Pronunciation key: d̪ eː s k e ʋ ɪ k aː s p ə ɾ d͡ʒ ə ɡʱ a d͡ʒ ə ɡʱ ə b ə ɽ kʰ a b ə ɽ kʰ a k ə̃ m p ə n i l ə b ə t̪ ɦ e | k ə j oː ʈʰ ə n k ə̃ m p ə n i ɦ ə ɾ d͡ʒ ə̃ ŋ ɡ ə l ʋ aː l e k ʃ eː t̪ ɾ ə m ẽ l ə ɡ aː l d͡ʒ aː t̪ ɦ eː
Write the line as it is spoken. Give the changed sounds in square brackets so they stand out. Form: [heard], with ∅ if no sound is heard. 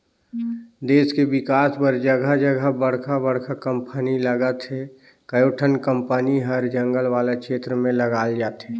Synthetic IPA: d̪ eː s k e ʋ ɪ k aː s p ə ɾ d͡ʒ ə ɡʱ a d͡ʒ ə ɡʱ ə b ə ɽ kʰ a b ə ɽ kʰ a k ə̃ m p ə n i l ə [ɡ] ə t̪ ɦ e | k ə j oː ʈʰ ə n k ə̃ m p ə n i ɦ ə ɾ d͡ʒ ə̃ ŋ ɡ ə l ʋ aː l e k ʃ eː t̪ ɾ ə m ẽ l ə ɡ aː l d͡ʒ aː t̪ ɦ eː